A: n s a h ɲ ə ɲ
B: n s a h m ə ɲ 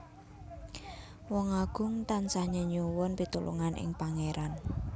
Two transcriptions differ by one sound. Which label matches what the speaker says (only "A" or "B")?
A